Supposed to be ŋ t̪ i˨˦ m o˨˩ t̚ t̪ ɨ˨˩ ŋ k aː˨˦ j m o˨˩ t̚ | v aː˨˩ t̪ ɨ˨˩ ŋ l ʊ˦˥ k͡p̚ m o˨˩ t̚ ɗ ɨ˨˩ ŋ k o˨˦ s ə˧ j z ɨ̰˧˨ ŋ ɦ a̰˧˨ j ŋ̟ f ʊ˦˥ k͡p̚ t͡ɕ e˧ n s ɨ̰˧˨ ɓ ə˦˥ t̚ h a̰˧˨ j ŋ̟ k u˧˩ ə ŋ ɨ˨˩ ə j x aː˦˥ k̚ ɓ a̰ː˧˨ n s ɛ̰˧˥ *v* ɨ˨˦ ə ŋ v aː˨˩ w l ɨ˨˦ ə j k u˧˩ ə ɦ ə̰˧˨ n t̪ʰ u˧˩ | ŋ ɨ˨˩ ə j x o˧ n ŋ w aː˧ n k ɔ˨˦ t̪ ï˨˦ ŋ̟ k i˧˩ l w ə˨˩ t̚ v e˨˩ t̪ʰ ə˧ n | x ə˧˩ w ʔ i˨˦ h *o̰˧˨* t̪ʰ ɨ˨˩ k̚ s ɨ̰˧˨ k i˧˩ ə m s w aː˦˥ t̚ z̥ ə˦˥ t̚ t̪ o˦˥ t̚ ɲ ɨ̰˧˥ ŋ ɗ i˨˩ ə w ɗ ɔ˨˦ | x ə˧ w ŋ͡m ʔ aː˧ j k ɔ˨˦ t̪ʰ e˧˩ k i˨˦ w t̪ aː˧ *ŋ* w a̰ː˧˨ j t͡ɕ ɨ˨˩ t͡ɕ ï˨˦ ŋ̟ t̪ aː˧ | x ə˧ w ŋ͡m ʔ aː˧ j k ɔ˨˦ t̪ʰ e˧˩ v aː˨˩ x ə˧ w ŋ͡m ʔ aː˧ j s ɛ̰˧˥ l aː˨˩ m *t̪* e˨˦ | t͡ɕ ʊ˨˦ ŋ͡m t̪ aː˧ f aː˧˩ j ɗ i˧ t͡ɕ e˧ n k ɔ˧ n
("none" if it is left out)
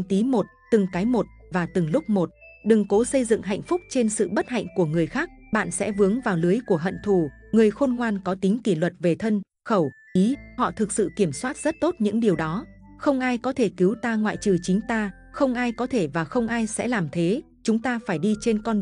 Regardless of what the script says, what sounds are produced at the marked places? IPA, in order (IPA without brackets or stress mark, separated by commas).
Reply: v, ɔ̰˧˨, ŋ, t̪ʰ